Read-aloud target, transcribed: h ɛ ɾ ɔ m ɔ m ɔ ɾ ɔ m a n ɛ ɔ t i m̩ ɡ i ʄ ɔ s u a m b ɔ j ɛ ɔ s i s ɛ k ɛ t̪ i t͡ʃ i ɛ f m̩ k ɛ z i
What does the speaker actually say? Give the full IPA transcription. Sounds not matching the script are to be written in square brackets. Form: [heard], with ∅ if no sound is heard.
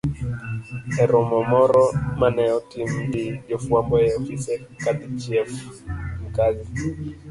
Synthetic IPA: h ɛ ɾ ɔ m ɔ m ɔ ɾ ɔ m a n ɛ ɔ t i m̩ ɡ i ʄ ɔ [f] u a m b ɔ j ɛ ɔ [f] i s ɛ k [a] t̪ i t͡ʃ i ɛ f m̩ k [a] z i